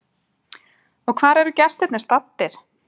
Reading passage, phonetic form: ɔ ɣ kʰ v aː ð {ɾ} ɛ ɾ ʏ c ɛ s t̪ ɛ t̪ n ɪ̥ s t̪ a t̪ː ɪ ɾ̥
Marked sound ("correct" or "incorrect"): correct